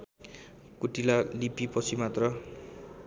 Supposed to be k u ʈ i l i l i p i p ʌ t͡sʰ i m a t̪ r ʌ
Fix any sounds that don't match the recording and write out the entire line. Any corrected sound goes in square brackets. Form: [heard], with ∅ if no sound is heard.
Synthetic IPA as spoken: k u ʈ i l [a] l i p i p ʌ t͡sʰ i m a t̪ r ʌ